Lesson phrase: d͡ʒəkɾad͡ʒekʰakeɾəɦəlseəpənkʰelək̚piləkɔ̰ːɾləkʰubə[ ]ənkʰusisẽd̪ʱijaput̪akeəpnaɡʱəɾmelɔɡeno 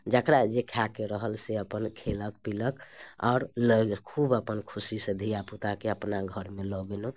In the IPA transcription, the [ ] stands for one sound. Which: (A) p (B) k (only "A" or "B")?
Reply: A